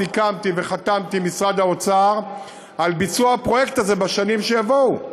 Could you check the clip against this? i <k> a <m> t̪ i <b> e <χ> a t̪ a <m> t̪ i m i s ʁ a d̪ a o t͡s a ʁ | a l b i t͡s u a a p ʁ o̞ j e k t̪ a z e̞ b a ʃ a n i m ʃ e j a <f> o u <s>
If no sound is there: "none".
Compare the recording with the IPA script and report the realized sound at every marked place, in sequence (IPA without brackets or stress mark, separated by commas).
k, m, v, χ, m, v, none